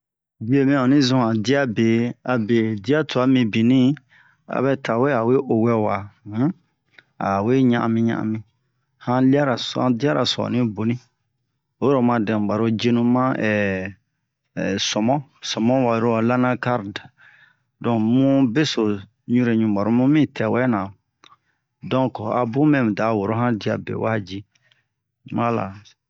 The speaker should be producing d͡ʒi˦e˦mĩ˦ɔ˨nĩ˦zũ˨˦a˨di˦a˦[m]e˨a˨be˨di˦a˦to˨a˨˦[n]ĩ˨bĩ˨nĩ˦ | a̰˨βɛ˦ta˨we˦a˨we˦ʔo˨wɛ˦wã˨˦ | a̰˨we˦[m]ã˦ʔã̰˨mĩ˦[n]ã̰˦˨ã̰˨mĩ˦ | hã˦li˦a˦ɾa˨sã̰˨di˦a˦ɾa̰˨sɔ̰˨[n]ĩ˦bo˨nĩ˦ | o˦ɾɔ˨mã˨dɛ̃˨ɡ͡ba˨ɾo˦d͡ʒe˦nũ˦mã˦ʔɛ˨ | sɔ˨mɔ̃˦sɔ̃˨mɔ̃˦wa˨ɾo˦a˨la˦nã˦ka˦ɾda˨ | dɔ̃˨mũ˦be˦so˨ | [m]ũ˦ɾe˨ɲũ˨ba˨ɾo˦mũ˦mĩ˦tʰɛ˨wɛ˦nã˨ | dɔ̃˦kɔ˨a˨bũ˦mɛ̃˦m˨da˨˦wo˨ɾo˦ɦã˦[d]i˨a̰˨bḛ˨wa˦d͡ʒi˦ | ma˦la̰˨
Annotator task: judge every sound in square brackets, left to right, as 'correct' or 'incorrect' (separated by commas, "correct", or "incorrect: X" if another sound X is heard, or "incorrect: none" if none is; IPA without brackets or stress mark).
incorrect: b, incorrect: m, incorrect: ɲ, incorrect: ɲ, correct, incorrect: ɲ, correct